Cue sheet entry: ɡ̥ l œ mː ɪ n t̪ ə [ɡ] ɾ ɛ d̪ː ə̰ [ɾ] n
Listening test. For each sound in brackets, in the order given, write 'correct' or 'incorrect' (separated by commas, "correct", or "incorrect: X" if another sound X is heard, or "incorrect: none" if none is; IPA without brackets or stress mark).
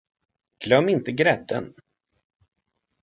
correct, incorrect: none